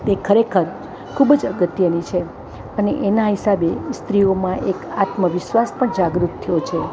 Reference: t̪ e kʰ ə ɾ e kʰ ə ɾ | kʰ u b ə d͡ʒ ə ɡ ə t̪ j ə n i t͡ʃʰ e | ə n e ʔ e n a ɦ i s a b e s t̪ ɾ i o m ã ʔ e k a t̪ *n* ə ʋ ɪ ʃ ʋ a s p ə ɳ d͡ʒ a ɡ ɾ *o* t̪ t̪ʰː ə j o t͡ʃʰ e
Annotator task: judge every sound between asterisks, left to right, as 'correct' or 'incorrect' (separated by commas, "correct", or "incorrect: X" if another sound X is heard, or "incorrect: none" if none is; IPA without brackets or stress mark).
incorrect: m, incorrect: u